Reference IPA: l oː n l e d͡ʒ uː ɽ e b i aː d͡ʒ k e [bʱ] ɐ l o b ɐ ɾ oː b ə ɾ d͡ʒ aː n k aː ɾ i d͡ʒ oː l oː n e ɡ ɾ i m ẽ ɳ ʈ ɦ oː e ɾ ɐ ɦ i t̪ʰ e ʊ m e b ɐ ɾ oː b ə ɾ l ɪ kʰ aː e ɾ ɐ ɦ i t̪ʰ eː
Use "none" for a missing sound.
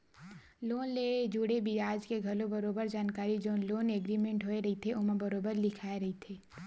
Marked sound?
ɡʱ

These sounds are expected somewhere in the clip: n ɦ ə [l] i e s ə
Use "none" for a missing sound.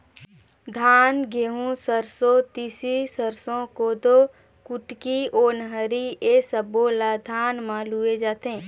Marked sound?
ɾ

